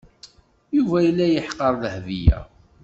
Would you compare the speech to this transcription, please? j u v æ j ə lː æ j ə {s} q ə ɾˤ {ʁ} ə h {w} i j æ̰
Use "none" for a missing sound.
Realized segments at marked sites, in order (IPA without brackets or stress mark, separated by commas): ħ, ð, v